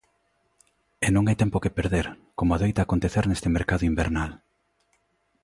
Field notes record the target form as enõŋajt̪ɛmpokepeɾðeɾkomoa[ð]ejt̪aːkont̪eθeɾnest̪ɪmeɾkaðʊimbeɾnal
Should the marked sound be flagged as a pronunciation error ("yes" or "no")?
no